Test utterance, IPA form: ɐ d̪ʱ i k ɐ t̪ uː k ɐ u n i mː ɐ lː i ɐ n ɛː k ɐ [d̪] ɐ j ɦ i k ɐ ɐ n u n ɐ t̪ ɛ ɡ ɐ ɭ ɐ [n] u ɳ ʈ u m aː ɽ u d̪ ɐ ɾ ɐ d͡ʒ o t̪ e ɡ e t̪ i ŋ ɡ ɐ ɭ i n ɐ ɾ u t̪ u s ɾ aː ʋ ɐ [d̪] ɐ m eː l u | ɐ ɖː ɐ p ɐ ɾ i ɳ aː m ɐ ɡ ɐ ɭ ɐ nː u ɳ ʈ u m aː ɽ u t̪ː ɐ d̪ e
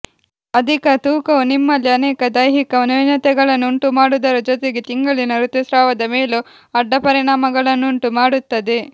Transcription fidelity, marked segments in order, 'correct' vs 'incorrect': correct, incorrect, correct

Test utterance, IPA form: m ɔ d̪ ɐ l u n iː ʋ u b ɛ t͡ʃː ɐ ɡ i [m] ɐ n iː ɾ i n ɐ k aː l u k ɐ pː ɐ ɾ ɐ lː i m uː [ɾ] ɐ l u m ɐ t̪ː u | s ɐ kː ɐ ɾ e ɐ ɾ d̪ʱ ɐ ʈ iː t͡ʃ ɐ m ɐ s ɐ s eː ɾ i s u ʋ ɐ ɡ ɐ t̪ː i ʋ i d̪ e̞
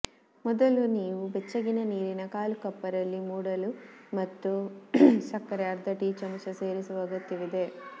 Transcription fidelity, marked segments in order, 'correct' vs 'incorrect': incorrect, incorrect

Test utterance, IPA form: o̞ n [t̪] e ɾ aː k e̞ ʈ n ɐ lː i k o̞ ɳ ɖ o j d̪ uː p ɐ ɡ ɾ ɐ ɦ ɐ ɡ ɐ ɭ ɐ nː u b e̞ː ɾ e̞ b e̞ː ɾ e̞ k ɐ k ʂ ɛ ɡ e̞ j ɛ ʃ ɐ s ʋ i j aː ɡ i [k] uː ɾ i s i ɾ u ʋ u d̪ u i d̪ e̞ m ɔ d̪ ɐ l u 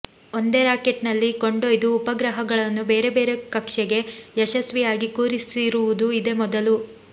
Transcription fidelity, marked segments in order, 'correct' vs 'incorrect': incorrect, correct

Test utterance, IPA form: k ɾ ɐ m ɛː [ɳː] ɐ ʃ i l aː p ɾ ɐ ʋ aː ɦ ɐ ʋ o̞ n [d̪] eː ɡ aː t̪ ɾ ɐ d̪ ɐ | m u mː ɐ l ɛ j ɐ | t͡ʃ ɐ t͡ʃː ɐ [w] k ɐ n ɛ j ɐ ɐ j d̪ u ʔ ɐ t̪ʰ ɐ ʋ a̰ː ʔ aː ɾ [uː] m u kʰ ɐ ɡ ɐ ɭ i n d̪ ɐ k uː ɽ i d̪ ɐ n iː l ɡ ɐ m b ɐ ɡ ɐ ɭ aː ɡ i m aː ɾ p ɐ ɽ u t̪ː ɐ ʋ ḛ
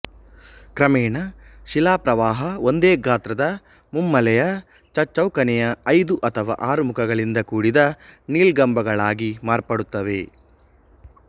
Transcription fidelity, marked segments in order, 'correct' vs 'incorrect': incorrect, correct, correct, incorrect

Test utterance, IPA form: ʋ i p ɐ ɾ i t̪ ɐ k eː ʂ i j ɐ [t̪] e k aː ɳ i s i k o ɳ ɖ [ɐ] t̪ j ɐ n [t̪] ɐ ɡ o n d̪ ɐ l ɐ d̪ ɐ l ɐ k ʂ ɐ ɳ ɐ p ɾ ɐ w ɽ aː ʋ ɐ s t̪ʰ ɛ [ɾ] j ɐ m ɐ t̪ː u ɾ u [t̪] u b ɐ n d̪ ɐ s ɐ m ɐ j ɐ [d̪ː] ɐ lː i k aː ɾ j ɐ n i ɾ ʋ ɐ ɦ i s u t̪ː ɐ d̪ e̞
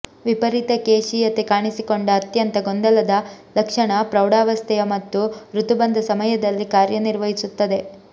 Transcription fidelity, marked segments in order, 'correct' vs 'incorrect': correct, incorrect, correct, incorrect, correct, incorrect

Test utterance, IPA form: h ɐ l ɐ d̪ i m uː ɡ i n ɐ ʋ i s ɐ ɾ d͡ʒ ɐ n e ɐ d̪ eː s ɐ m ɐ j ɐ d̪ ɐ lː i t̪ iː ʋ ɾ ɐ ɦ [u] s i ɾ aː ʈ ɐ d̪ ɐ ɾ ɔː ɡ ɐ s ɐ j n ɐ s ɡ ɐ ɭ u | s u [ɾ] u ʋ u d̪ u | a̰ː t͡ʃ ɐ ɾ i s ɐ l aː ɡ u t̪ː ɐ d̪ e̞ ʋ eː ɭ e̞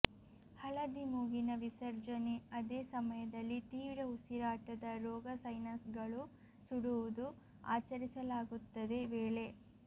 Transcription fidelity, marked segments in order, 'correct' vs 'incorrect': correct, incorrect

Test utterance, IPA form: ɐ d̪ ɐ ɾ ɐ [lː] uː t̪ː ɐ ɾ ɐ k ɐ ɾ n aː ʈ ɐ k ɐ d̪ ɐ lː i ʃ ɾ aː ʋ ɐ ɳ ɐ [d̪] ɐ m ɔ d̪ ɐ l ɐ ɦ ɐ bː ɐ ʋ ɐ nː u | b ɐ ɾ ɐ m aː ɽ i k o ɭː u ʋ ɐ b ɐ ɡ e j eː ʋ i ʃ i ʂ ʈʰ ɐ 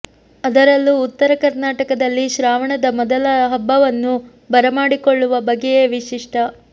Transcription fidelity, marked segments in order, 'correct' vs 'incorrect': correct, correct

